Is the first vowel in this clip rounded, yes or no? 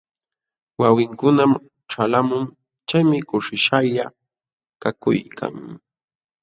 no